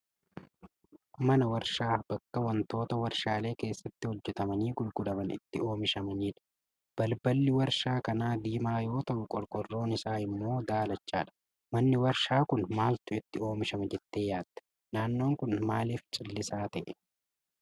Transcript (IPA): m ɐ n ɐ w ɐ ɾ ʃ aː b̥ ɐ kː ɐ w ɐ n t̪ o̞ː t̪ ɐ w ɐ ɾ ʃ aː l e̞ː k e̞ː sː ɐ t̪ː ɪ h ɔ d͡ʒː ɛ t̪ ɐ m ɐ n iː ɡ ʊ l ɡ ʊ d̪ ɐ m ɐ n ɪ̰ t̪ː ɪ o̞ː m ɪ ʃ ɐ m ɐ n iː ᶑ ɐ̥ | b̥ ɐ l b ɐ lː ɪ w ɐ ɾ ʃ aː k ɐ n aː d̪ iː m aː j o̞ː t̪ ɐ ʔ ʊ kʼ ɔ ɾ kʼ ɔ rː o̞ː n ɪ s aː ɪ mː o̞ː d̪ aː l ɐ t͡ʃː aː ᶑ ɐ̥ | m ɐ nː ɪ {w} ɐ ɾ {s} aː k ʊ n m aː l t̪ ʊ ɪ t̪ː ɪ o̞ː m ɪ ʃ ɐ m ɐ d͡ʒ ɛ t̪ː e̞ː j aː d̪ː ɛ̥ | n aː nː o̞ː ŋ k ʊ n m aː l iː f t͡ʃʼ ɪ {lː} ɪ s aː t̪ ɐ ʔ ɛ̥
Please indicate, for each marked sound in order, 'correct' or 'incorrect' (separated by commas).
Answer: correct, incorrect, correct